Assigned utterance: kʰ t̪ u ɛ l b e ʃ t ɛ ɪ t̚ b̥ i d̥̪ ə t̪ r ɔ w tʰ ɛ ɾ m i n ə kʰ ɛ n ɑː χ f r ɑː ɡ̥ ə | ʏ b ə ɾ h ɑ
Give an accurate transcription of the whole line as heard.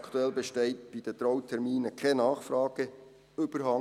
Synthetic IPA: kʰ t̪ u ɛ l b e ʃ t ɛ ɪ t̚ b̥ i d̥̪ ə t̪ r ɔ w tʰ ɛ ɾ m iː n ə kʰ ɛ n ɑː χ f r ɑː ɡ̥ ə | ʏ b ə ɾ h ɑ